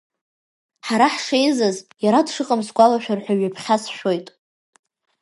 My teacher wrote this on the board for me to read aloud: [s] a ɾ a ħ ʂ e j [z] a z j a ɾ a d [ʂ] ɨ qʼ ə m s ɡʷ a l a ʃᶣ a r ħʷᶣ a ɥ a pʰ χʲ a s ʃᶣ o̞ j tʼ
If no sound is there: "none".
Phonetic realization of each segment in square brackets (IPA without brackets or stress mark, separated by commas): ħ, z, ʂ